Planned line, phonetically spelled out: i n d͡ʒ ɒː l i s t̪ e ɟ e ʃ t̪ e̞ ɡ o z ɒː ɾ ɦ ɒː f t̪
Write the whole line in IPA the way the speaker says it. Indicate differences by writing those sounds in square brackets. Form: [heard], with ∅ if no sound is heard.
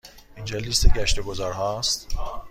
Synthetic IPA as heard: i n d͡ʒ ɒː l i s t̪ e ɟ [æ] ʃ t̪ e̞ ɡ o z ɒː ɾ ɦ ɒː [s] t̪